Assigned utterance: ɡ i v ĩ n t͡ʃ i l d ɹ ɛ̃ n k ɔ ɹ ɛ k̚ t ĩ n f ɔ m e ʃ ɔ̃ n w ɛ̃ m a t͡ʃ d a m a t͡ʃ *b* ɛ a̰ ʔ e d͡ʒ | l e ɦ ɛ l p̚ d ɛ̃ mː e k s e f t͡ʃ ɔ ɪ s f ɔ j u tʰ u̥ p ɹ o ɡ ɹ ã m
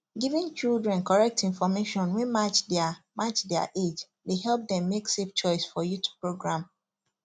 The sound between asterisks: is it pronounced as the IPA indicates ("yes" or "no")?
no